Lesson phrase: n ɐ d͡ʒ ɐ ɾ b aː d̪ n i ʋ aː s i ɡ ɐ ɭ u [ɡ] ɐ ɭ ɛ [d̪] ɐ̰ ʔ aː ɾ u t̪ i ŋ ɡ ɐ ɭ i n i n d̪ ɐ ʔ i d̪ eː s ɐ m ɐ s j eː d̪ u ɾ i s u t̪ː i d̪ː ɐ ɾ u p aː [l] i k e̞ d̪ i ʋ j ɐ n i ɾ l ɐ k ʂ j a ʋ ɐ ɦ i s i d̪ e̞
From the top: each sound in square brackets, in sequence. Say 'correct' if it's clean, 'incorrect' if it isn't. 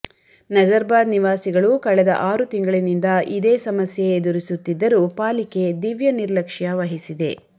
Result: incorrect, correct, correct

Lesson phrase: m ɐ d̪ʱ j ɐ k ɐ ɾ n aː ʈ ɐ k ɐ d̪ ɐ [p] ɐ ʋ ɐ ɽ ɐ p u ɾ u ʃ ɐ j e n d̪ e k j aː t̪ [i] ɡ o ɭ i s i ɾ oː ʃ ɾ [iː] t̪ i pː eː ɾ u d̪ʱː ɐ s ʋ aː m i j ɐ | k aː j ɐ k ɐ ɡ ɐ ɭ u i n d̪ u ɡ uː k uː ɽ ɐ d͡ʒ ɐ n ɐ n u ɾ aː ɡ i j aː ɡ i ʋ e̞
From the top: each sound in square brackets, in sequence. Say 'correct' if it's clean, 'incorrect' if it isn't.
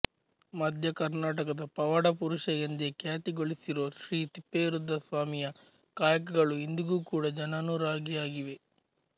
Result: correct, correct, correct

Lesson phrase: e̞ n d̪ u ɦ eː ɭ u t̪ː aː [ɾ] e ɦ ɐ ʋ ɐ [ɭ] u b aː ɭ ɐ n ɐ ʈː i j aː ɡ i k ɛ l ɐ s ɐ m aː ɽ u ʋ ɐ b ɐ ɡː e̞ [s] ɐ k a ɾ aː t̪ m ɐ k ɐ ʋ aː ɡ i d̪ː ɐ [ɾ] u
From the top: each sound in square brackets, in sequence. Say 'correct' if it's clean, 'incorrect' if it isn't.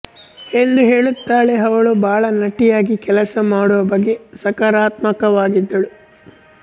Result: incorrect, correct, correct, incorrect

